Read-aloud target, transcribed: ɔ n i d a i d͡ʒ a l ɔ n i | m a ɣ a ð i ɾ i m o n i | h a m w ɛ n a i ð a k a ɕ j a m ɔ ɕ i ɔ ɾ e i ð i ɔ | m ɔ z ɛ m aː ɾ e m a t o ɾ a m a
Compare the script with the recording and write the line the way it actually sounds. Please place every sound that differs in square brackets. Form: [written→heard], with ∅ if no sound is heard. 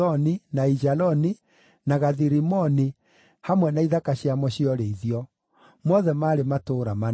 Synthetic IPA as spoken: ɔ n i [d→n] a i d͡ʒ a l ɔ n i | [m→n] a ɣ a ð i ɾ i m [o→ɔ] n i | h a m w ɛ n a i ð a k a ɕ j a m ɔ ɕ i ɔ ɾ e i ð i ɔ | m ɔ [z→ð] ɛ m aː ɾ e m a t o ɾ a m a